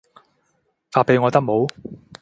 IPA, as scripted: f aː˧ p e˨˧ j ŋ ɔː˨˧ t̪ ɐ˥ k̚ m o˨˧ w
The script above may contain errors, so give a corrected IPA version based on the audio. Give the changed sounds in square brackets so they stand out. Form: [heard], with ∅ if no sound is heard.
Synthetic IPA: f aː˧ p e˨˧ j ŋ ɔː˨˧ t̪ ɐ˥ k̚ m o˨˧ w